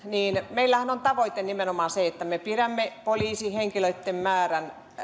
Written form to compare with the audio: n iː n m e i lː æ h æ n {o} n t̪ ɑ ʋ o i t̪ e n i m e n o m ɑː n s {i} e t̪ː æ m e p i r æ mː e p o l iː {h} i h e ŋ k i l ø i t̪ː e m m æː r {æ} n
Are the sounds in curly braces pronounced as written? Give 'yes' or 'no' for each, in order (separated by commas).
yes, no, no, yes